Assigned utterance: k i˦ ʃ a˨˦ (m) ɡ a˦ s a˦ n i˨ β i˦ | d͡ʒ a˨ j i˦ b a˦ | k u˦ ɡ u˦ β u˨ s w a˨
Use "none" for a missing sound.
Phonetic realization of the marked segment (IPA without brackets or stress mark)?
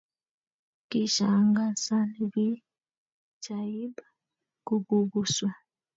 ŋ